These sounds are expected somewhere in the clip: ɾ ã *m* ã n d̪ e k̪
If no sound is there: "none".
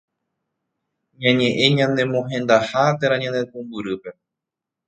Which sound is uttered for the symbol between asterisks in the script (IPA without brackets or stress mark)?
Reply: ɲ